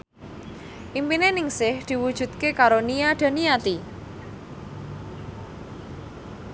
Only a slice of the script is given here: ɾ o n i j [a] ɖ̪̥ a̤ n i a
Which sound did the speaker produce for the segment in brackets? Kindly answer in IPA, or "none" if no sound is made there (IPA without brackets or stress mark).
a